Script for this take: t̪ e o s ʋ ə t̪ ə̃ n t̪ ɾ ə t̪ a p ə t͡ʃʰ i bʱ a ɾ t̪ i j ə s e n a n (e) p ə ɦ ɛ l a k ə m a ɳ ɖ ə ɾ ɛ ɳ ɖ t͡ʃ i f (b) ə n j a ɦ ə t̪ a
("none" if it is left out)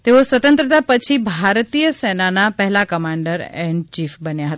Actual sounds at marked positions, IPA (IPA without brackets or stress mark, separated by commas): a, b